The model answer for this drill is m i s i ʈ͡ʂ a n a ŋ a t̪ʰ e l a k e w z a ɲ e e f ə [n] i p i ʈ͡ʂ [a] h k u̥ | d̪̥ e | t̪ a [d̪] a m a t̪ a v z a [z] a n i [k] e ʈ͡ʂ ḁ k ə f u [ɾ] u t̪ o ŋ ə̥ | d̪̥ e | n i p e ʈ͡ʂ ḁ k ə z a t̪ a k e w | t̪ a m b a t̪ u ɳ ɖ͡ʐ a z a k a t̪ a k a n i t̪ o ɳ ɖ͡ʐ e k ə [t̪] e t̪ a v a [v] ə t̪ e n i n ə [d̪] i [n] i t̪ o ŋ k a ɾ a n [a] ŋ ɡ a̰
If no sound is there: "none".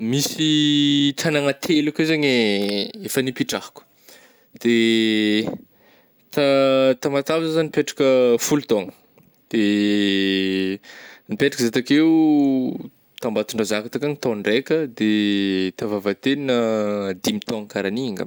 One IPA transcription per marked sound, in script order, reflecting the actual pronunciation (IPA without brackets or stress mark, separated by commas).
n, a, t̪, z, p, l, d̪, v, d̪, m, i